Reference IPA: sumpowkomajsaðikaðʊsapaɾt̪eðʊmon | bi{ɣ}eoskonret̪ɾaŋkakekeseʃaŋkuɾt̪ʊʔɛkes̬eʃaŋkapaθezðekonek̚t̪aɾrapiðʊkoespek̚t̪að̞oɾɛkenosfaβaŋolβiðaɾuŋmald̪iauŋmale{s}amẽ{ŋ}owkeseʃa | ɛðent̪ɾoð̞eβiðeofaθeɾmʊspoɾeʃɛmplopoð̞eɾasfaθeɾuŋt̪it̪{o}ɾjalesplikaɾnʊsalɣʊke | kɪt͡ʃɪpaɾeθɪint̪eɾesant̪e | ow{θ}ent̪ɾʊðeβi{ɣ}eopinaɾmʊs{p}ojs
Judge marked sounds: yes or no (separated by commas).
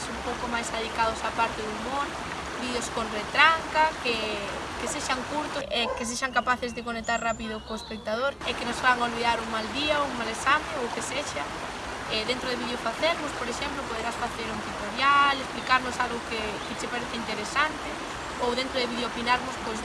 no, yes, yes, yes, no, no, yes